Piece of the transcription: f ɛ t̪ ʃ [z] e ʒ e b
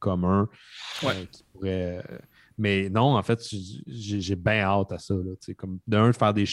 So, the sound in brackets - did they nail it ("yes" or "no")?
no